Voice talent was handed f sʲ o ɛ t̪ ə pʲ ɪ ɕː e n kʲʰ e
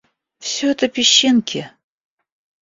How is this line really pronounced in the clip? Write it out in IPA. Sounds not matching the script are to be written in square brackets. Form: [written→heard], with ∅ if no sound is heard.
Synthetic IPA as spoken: f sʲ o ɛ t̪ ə pʲ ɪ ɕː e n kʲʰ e